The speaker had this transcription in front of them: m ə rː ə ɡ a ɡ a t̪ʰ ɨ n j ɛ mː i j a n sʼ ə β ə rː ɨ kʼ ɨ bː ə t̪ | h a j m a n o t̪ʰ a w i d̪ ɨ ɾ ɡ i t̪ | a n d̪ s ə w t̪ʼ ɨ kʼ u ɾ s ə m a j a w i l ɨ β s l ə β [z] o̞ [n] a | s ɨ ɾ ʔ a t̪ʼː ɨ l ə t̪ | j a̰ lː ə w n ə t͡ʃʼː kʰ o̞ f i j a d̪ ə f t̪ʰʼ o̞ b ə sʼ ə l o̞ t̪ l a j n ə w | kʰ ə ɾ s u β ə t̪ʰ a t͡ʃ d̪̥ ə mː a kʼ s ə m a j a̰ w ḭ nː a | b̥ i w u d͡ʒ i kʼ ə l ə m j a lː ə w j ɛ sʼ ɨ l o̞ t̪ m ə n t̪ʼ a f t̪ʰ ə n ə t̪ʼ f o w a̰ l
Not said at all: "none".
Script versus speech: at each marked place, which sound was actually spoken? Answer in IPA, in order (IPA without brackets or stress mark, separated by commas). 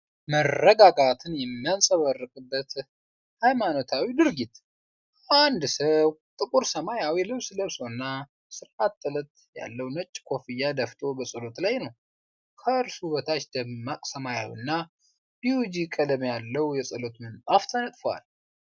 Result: s, nː